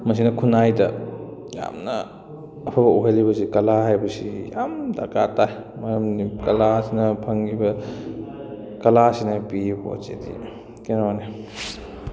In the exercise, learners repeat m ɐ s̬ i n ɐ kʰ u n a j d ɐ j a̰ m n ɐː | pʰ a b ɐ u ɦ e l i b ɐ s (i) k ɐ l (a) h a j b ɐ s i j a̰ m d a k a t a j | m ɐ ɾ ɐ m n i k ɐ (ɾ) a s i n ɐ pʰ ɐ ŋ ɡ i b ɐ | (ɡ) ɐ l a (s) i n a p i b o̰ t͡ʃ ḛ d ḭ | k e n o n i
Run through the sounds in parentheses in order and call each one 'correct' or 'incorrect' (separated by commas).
correct, correct, incorrect, incorrect, correct